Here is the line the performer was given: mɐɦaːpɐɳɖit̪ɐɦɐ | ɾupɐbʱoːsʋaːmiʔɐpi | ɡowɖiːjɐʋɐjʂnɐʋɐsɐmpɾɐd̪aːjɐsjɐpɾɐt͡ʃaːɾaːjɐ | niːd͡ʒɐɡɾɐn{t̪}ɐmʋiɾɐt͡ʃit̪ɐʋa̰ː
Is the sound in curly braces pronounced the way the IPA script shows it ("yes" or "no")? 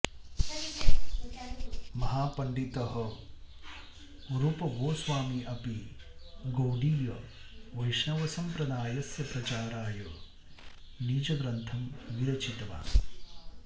no